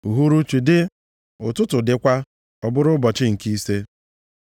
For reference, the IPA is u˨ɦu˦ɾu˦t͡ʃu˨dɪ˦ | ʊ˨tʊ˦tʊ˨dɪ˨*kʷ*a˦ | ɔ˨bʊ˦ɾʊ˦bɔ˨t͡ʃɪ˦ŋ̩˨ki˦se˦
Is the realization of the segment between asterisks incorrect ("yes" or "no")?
no